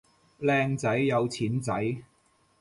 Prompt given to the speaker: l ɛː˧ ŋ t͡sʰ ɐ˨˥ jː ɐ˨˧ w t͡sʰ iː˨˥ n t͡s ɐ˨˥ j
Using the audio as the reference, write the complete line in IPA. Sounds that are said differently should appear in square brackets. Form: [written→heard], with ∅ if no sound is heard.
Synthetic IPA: l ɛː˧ ŋ [t͡sʰ→t͡s] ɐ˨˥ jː ɐ˨˧ w t͡sʰ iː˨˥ n t͡s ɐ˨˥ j